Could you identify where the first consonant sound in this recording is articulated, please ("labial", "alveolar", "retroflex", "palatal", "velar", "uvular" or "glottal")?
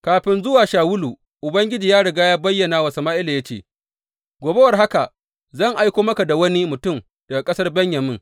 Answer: velar